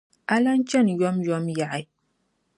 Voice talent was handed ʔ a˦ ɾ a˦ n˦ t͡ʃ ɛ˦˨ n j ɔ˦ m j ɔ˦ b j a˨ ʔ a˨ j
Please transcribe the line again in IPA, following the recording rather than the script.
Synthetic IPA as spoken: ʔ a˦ l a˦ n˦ t͡ʃ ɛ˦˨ n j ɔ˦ m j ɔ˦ m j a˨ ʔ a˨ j